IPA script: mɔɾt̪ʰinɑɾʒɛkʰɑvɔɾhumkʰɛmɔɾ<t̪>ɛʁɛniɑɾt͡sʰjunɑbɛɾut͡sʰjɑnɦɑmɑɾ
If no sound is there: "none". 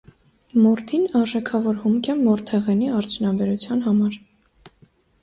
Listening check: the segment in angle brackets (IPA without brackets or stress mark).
t̪ʰ